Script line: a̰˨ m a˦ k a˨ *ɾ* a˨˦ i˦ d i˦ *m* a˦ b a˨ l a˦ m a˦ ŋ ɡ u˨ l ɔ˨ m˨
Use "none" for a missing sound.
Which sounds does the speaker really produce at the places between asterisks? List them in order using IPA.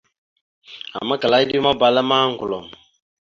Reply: l, m

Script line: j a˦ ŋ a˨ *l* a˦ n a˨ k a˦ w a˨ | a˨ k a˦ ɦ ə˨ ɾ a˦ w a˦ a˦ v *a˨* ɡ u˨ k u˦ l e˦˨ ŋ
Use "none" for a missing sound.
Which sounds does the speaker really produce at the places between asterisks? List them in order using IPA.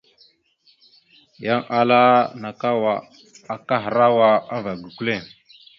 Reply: l, a˨

